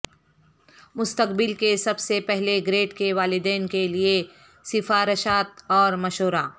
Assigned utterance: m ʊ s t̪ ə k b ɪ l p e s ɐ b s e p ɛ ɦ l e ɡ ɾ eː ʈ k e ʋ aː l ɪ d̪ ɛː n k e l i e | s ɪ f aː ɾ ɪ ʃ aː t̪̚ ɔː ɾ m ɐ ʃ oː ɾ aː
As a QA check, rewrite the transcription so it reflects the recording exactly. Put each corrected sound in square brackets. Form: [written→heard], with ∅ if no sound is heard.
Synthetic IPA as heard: m ʊ s t̪ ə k b ɪ l [p→k] e s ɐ b s e p ɛ ɦ l e ɡ ɾ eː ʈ k e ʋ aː l ɪ d̪ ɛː n k e l i e | s ɪ f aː ɾ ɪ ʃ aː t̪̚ ɔː ɾ m ɐ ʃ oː ɾ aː